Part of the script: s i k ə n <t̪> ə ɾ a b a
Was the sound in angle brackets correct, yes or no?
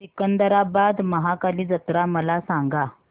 no